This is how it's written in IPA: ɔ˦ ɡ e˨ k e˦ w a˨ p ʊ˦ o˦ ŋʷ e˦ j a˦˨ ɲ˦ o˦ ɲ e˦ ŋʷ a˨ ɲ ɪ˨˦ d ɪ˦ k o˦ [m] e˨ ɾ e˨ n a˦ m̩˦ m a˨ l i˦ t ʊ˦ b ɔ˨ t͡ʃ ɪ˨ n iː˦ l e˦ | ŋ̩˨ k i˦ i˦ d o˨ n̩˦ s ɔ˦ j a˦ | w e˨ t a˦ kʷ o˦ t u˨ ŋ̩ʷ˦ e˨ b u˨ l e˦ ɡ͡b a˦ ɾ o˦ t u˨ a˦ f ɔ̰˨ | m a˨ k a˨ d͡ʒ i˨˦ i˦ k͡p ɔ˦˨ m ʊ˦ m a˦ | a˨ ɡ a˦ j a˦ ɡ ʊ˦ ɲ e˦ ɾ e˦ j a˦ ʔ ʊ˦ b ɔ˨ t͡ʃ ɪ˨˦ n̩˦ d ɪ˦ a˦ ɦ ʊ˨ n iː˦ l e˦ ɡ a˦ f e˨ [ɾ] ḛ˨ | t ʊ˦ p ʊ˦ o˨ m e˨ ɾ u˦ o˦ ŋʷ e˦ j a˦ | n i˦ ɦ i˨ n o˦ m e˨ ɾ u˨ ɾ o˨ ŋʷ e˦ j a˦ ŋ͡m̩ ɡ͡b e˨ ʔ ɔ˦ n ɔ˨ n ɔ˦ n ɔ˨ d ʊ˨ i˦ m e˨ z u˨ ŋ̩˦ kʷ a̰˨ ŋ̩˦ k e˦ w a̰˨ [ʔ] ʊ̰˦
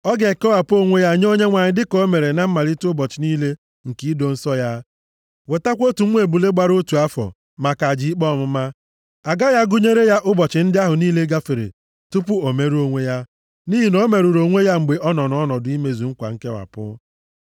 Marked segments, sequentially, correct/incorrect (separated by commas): correct, correct, incorrect